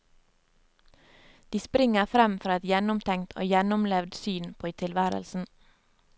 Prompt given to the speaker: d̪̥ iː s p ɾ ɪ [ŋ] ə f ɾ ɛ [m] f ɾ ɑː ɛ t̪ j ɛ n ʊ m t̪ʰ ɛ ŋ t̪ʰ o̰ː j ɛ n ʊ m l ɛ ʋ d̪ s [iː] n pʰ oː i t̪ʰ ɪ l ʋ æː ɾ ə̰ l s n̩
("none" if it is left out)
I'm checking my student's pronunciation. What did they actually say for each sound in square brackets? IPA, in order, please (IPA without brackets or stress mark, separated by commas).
ŋ, m, yː